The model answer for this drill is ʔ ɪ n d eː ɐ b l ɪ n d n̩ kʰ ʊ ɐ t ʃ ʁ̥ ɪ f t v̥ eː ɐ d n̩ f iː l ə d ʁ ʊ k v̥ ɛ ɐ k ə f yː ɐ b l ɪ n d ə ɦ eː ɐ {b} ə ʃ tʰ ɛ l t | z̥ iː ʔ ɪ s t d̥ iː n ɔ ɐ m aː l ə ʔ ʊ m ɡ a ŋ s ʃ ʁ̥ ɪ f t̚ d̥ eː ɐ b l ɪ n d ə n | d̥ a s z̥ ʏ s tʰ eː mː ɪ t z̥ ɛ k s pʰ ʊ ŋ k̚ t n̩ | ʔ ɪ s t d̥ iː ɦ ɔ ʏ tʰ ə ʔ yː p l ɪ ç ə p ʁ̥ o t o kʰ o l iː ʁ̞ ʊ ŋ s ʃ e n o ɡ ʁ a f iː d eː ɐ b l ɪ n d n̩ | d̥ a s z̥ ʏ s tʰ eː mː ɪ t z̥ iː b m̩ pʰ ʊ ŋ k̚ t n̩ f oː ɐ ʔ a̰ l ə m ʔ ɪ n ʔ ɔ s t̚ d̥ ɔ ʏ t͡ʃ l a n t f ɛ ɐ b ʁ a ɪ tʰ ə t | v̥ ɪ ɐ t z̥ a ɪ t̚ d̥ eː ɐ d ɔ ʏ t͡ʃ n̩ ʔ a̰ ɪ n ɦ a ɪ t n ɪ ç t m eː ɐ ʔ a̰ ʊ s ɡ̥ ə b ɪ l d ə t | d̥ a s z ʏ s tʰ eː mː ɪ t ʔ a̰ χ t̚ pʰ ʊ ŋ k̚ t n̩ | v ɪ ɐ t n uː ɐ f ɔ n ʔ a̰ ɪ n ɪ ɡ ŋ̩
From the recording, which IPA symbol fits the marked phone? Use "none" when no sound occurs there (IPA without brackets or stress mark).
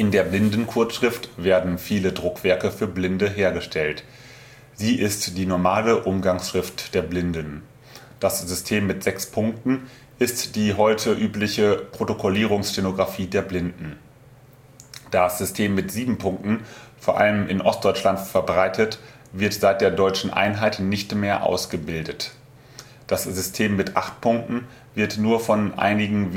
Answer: ɡ